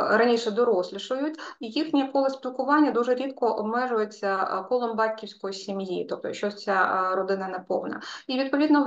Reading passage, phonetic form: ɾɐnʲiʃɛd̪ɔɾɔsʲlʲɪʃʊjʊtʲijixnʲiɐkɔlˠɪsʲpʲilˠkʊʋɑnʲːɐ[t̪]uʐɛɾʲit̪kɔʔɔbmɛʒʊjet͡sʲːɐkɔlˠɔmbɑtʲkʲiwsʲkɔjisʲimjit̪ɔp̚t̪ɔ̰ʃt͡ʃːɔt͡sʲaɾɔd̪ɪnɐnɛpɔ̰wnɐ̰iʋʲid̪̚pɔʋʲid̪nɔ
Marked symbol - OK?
no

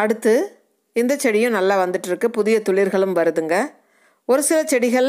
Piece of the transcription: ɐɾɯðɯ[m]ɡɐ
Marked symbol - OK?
no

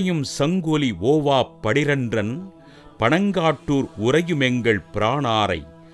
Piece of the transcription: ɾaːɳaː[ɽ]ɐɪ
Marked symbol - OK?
no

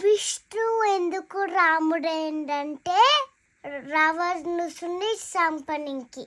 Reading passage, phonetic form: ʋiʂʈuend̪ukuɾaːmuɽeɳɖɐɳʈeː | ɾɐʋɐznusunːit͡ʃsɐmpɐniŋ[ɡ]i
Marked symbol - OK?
no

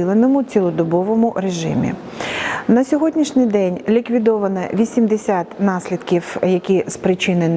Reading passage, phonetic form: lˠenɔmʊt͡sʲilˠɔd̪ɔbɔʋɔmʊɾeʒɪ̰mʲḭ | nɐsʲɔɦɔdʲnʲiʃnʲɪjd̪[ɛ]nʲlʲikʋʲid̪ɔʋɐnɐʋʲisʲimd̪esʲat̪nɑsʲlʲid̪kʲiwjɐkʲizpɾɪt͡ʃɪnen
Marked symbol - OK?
yes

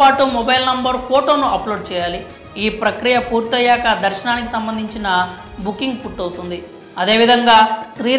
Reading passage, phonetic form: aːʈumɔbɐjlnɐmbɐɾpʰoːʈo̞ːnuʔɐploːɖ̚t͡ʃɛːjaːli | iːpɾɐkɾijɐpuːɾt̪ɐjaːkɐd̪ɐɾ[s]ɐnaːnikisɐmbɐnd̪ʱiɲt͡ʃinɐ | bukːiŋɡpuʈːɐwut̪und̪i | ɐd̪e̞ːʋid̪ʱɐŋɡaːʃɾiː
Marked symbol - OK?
no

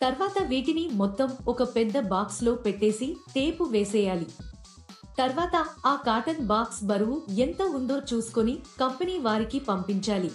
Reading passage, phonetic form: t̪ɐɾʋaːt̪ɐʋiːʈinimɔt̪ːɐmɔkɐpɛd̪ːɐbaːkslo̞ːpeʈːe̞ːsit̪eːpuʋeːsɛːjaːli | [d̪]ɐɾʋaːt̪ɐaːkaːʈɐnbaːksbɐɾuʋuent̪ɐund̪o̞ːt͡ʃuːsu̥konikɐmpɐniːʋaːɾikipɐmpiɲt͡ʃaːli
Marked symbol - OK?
no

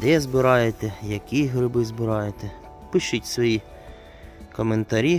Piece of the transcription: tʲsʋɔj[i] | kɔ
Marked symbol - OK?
yes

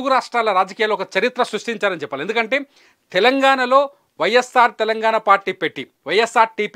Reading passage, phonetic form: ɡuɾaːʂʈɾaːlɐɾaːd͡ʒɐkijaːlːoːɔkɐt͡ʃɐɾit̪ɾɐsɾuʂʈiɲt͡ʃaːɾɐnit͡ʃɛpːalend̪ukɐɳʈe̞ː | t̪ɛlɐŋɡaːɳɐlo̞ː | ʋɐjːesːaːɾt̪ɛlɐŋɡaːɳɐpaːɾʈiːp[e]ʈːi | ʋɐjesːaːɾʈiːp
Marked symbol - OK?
yes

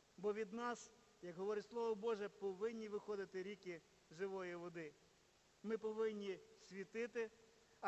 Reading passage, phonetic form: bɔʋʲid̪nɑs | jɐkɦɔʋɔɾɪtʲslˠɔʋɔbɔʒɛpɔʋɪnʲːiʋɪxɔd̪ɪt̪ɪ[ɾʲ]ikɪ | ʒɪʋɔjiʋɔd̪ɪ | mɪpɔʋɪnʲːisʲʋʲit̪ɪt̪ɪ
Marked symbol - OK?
yes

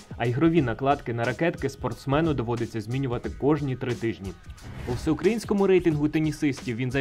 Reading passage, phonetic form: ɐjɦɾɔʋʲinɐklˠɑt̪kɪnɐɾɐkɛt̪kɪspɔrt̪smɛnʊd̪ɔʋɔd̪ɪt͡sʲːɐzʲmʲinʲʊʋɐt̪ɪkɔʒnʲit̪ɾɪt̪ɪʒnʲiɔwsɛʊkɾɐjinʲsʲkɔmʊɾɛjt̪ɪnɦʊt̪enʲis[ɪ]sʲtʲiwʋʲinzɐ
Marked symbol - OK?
yes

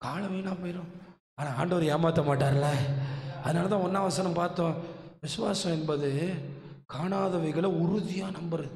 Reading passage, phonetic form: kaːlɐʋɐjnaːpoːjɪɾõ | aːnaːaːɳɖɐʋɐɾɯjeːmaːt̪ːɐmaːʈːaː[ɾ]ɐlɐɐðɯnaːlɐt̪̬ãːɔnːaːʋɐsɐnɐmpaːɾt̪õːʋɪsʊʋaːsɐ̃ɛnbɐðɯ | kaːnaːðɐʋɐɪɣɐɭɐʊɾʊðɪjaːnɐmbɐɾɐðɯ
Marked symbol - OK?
yes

